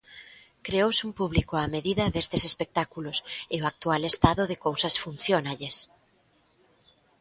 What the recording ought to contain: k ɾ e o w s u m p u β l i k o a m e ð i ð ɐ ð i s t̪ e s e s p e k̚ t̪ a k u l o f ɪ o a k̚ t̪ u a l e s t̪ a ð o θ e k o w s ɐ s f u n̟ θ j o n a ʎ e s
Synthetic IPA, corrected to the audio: k ɾ e o w s u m p u β l i k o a m e ð i ð ɐ ð e s t̪ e s e s p e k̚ t̪ a k u l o s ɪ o a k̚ t̪ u a l e s t̪ a ð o ð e k o w s ɐ s f u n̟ θ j o n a ʎ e s